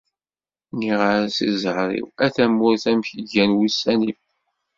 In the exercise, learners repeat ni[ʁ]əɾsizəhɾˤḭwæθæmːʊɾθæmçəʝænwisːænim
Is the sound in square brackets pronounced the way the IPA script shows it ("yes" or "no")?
yes